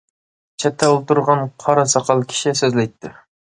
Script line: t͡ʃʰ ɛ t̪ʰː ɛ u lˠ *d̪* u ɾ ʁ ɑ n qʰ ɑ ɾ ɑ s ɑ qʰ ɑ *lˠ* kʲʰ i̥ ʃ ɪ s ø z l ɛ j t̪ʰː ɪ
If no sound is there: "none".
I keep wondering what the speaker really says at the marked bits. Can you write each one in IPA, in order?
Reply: t̪, lˠ

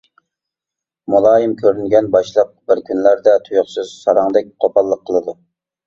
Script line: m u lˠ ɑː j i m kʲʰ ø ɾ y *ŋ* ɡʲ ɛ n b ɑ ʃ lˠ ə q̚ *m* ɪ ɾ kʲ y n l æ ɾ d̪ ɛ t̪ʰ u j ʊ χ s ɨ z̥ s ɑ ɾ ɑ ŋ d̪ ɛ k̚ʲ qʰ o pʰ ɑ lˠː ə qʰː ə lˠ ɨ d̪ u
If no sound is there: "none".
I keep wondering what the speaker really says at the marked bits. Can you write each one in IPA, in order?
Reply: n, b

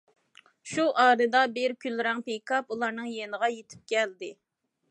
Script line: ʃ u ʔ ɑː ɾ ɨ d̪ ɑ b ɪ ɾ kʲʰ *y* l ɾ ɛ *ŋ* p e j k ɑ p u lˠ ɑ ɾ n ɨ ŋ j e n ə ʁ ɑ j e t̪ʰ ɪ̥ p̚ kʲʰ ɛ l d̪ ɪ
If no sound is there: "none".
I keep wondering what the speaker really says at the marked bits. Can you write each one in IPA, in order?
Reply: y, ŋ

